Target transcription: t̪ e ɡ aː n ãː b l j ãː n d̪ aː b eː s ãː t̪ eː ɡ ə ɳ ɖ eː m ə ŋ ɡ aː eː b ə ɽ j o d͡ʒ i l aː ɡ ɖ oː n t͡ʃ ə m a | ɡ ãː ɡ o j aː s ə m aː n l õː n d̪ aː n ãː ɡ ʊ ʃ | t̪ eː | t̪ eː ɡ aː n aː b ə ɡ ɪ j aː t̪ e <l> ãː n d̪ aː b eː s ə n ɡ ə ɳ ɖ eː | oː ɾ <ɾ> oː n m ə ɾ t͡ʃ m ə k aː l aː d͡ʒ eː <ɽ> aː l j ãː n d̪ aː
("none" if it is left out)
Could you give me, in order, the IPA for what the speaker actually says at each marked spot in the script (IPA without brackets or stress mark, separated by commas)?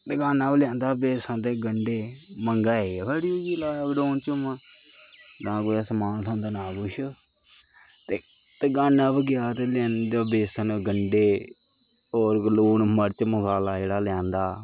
l, l, ɽ